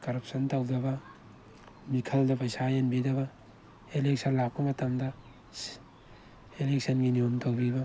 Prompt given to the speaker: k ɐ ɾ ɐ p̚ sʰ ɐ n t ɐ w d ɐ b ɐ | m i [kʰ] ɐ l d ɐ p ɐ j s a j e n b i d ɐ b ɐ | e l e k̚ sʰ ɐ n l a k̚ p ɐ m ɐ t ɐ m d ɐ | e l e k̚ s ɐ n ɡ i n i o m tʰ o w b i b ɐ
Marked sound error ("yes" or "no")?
no